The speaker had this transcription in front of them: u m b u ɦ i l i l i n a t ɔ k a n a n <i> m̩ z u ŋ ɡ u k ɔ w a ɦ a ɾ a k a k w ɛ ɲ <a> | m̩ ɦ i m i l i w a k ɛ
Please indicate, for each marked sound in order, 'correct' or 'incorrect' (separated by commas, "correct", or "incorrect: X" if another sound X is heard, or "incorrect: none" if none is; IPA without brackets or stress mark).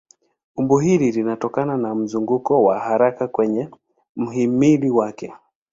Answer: incorrect: a, incorrect: ɛ